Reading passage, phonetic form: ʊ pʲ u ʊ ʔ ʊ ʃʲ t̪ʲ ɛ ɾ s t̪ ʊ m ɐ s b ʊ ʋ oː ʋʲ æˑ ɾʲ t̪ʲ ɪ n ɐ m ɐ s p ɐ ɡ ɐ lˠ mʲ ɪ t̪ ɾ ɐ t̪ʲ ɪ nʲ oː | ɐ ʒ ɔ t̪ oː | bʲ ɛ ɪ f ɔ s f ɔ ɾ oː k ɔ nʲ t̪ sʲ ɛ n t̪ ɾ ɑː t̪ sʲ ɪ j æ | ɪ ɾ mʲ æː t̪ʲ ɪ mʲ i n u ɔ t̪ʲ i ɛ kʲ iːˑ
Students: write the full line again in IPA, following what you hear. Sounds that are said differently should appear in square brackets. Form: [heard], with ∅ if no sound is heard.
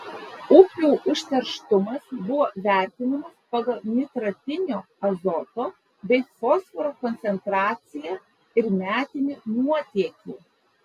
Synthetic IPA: ʊ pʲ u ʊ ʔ ʊ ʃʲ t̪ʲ ɛ ɾ [ʃ] t̪ ʊ m ɐ s b ʊ ʋ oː ʋʲ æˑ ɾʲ t̪ʲ ɪ n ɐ m ɐ s p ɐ ɡ ɐ lˠ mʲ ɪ t̪ ɾ ɐ t̪ʲ ɪ nʲ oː | ɐ [z] ɔ t̪ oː | bʲ ɛ ɪ f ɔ s f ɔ ɾ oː k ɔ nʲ t̪ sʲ ɛ n t̪ ɾ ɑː t̪ sʲ ɪ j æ | ɪ ɾ mʲ æː t̪ʲ ɪ [nʲ] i n u ɔ t̪ʲ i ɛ kʲ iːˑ